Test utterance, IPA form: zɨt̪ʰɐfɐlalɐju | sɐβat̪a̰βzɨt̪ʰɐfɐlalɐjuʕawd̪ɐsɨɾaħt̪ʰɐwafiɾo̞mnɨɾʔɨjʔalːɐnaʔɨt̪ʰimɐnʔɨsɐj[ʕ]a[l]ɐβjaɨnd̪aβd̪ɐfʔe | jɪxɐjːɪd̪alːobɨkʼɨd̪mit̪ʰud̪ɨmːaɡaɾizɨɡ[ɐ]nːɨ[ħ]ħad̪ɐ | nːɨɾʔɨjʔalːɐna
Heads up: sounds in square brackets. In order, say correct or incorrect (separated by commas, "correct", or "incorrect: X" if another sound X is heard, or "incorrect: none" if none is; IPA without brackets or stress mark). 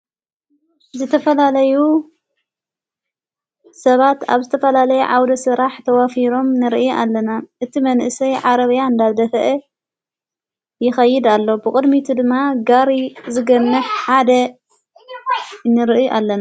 correct, incorrect: ɾ, correct, correct